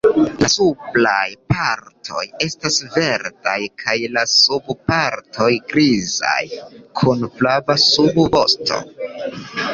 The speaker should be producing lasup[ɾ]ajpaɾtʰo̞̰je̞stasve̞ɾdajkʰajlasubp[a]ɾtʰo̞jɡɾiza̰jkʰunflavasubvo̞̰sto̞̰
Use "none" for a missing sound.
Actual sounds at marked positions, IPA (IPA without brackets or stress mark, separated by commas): l, a